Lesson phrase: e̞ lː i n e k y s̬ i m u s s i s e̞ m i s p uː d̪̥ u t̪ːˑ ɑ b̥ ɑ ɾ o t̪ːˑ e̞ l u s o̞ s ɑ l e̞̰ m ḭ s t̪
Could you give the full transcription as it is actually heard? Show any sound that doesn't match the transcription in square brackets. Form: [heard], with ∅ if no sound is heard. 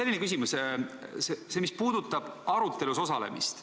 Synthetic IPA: e̞ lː i n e k y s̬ i m u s s [e] s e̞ m i s p uː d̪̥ u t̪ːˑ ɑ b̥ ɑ ɾ [u] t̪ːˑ e̞ l u s o̞ s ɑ l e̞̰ m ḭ s t̪

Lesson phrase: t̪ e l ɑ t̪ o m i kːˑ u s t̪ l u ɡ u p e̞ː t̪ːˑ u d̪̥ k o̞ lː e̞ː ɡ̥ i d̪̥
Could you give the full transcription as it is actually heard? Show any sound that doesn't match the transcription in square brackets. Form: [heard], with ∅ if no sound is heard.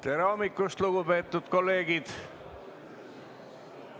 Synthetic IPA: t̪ e [ɾ] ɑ [∅] o m i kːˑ u s t̪ l u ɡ u p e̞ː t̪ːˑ u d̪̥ k o̞ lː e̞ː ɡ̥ i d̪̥

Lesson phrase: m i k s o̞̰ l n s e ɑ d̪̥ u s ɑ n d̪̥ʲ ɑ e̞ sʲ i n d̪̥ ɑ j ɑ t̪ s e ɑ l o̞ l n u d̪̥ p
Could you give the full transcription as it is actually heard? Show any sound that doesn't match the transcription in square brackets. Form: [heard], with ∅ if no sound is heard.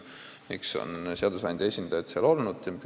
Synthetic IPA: m i k s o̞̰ [∅] n s e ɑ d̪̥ u s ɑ n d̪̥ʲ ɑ e̞ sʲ i n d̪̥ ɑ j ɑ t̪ s e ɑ l o̞ l n u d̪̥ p

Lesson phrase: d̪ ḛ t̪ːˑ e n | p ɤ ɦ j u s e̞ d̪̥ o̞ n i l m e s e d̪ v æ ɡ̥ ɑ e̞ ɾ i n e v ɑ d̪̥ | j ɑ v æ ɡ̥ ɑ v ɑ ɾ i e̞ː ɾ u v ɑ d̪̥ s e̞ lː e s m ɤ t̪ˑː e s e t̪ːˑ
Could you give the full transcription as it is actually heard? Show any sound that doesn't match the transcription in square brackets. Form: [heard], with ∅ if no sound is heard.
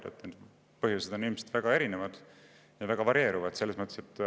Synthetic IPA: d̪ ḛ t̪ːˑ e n | p ɤ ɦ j u s e̞ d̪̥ o̞ n i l m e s e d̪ v æ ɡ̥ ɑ e̞ ɾ i n e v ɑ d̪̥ | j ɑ v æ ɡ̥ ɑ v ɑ ɾ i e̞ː ɾ u v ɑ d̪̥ s e̞ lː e s m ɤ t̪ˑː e s e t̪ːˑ

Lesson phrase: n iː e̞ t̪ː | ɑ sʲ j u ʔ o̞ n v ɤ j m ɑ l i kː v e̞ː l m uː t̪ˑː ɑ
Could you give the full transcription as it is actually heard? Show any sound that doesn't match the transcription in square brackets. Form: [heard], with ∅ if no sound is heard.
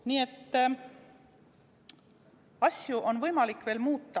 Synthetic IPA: n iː e̞ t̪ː | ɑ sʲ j u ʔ o̞ n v ɤ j m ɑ l i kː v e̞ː l m uː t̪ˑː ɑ

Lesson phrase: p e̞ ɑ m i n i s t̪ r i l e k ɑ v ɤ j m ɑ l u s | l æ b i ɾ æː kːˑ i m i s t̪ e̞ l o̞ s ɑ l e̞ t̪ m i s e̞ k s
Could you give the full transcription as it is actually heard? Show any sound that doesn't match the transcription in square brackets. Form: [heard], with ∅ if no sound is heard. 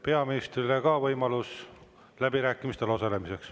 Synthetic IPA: p e̞ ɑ m i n i s t̪ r i l e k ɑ v ɤ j m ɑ l u s | l æ b i ɾ æː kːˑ i m i s t̪ e̞ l o̞ s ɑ l e̞ [∅] m i s e̞ k s

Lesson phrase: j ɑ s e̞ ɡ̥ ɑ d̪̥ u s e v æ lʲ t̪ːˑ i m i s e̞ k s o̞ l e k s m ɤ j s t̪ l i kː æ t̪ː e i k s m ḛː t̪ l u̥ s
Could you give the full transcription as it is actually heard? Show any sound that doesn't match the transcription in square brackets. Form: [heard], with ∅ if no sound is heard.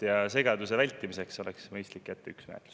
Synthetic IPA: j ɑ s e̞ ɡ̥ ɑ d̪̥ u s e v æ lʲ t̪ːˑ i m i s e̞ k s o̞ l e k s m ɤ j s t̪ l i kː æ t̪ː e [y] k s m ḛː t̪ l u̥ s

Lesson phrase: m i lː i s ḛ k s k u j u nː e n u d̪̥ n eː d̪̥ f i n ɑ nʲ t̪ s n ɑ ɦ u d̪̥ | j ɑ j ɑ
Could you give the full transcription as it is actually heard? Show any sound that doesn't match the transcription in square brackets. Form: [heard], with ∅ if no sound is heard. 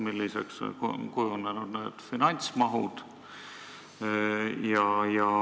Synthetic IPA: m i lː i s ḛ k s k u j u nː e n u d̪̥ n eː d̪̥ f i n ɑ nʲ t̪ s [m] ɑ ɦ u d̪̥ | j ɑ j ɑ

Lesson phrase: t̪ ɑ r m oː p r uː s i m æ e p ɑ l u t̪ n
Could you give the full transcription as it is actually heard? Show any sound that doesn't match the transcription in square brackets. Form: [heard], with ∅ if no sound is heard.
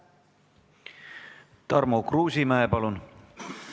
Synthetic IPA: t̪ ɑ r m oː [k] r uː s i m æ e p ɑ l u [∅] n

